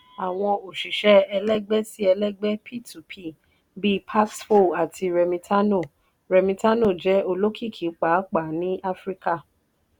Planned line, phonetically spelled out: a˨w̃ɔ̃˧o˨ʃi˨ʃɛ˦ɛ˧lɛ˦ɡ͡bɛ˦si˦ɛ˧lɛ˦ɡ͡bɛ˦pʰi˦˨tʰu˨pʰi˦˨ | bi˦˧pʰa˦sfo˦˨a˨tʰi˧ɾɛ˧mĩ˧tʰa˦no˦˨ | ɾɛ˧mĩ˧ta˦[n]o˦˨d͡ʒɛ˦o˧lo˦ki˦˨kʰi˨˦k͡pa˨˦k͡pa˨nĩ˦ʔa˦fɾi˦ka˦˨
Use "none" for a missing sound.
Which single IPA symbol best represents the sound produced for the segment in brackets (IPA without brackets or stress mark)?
n